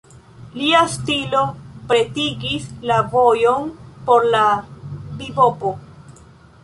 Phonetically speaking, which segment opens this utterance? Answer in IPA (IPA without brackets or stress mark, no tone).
l